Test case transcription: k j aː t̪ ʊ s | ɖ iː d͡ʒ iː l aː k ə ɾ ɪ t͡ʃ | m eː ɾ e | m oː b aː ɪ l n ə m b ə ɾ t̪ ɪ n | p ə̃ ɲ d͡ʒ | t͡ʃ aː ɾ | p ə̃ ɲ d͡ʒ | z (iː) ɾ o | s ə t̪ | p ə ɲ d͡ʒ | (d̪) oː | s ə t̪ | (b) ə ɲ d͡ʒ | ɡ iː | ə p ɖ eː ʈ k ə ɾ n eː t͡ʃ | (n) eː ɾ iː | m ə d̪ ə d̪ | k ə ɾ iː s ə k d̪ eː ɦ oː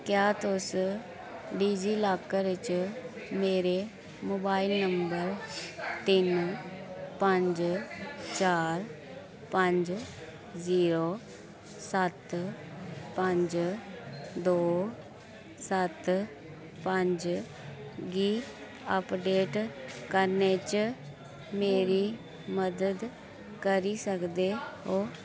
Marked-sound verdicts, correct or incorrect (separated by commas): correct, correct, incorrect, incorrect